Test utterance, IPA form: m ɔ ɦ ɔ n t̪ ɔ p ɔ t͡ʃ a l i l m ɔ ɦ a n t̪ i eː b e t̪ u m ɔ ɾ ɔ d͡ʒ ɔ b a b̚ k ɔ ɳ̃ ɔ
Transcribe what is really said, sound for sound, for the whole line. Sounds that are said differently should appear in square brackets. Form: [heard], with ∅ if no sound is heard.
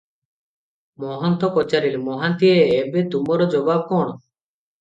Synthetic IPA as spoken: m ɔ ɦ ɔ n t̪ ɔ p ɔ t͡ʃ a [ɾ] i l m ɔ ɦ a n t̪ i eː b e t̪ u m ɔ ɾ ɔ d͡ʒ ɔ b a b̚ k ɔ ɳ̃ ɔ